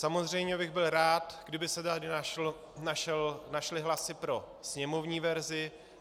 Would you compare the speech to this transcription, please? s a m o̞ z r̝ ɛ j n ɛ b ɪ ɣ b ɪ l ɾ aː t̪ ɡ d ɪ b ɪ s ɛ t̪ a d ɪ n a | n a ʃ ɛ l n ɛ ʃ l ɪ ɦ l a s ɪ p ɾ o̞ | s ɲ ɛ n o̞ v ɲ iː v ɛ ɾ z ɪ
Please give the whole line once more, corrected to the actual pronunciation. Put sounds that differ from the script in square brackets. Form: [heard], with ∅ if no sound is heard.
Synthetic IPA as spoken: s a m o̞ z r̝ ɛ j [ɲ] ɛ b ɪ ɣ b ɪ l ɾ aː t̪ ɡ d ɪ b ɪ s ɛ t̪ a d ɪ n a | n a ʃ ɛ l n [a] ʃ l ɪ ɦ l a s ɪ p ɾ o̞ | s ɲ ɛ [m] o̞ v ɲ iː v ɛ ɾ z ɪ